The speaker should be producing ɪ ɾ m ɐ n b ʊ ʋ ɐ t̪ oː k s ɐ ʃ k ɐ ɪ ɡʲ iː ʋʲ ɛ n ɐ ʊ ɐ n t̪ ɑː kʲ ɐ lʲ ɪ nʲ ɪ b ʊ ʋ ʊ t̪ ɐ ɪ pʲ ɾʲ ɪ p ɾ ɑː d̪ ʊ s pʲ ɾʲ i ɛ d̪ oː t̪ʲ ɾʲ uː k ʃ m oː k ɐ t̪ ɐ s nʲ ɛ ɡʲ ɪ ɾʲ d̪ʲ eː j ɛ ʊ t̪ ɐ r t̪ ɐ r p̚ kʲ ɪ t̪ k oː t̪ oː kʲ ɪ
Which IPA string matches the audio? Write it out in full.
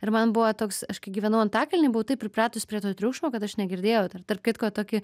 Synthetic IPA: ɪ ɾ m ɐ n b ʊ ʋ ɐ t̪ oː k s ɐ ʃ k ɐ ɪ ɡʲ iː ʋʲ ɛ n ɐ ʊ ɐ n t̪ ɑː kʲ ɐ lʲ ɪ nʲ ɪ b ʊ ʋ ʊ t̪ ɐ ɪ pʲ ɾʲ ɪ p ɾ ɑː t̪ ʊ s pʲ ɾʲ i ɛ t̪ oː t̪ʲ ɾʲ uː k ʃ m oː k ɐ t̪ ɐ ʃ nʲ ɛ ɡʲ ɪ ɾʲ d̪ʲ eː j ɛ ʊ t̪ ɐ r t̪ ɐ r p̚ kʲ ɪ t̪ k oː t̪ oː kʲ ɪ